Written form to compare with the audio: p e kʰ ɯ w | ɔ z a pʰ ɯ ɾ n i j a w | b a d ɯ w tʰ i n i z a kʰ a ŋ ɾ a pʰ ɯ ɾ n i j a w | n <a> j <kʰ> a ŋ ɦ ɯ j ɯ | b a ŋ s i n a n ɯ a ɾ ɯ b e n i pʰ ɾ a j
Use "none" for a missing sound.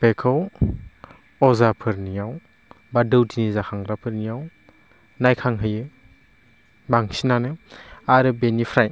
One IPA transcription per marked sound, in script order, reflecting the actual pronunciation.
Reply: a, kʰ

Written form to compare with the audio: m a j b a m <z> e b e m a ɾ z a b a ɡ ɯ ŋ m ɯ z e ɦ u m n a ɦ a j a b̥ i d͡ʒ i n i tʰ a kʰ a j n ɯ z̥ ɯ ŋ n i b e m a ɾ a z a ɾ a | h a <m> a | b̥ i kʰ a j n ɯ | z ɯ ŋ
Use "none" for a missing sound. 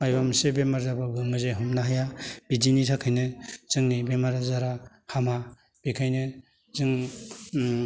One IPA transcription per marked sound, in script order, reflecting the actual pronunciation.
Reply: s, m

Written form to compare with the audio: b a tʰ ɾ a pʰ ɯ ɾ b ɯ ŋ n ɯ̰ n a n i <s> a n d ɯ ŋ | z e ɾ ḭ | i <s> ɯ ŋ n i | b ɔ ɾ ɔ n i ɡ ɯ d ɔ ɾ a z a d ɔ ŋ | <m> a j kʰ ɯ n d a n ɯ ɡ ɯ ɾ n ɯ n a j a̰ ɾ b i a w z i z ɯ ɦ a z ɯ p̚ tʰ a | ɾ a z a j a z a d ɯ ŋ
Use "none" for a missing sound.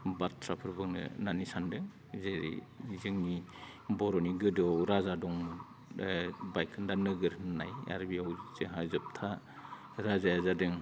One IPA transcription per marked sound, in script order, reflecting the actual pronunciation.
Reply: s, z, b

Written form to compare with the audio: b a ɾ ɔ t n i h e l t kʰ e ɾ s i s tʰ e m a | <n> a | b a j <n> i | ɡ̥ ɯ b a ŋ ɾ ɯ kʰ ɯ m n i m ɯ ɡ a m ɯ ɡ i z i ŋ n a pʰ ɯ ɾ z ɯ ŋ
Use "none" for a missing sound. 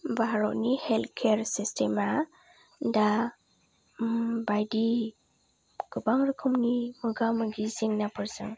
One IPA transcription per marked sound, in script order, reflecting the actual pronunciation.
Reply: d, d

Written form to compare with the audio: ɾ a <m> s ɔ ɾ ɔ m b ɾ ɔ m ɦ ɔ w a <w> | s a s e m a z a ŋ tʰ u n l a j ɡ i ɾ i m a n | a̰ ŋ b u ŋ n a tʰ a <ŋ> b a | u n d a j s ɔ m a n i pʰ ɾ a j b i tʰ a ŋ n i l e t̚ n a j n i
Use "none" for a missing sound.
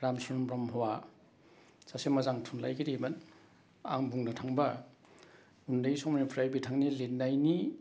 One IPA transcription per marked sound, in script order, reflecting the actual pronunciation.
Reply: m, none, ŋ

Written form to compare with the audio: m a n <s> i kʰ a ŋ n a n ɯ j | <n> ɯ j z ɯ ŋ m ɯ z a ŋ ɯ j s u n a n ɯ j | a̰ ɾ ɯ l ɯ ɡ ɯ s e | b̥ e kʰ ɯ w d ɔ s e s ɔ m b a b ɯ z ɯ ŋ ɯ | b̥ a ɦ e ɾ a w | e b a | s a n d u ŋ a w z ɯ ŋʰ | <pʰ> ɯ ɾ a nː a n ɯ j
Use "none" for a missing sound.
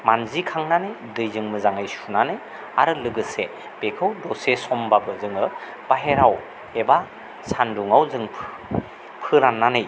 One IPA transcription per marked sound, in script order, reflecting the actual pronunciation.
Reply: z, d, pʰ

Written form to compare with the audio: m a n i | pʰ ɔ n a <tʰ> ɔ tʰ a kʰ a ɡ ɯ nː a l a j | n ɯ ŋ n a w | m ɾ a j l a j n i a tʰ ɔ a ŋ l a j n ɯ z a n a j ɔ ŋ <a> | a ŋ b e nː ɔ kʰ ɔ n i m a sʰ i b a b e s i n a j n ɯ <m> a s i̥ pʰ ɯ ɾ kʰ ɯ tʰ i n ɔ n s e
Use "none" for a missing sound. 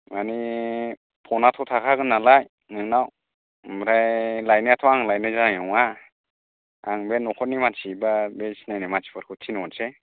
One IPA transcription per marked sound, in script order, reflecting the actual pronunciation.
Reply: tʰ, a, m

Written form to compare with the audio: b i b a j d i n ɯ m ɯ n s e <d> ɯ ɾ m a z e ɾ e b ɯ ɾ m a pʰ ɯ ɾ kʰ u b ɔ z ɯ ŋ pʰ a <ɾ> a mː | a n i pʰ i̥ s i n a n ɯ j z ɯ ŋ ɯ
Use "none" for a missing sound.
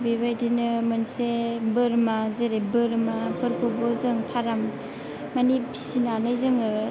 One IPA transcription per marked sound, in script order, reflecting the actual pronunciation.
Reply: b, ɾ

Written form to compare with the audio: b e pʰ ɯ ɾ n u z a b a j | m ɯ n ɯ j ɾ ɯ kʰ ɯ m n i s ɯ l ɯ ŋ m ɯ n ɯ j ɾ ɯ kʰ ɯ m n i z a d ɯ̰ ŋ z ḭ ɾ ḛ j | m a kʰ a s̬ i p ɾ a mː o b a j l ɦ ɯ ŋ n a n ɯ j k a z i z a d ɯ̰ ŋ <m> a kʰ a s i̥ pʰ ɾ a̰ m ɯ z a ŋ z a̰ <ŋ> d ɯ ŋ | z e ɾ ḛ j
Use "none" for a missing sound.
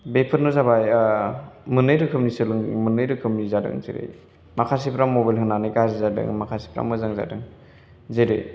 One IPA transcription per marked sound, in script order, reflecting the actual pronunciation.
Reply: m, none

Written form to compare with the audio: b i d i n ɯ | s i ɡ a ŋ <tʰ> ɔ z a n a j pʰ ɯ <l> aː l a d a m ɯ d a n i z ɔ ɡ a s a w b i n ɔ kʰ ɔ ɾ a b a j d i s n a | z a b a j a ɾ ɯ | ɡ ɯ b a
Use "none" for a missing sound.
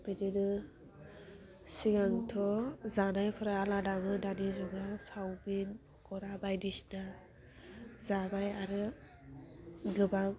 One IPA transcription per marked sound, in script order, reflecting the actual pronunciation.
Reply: tʰ, ɾ

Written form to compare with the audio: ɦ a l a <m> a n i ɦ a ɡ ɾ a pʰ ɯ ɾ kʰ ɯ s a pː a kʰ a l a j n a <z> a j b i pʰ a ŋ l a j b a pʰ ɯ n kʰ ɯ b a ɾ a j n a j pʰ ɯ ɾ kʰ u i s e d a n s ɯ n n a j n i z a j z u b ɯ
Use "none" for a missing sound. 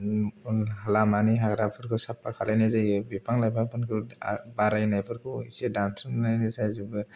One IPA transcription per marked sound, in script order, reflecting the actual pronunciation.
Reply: m, z

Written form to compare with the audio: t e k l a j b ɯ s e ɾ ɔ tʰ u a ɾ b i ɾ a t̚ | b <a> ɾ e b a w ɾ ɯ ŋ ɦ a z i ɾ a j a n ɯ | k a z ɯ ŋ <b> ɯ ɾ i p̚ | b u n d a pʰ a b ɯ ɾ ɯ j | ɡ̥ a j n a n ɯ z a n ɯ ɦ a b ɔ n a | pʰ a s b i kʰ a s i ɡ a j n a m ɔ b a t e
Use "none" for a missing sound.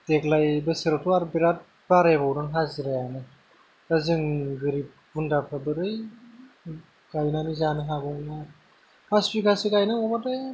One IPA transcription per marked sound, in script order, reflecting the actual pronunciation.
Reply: a, ɡ

